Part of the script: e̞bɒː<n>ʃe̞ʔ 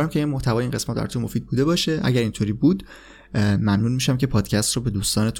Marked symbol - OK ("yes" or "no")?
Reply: no